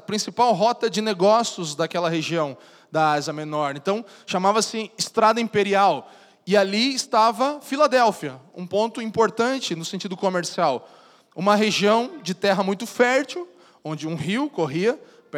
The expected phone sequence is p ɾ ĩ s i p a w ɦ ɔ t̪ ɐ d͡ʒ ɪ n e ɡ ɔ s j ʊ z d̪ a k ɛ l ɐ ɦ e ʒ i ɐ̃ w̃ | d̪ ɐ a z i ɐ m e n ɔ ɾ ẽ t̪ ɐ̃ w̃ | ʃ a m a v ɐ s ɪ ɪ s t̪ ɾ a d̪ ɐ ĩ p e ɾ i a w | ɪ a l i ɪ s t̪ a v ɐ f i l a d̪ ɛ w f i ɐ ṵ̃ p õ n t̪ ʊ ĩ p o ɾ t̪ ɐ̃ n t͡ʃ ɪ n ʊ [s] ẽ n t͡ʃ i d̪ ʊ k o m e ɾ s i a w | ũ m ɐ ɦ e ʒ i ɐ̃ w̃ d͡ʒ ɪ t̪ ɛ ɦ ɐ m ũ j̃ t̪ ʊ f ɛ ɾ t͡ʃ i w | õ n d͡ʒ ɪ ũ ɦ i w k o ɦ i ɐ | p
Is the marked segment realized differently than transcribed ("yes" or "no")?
no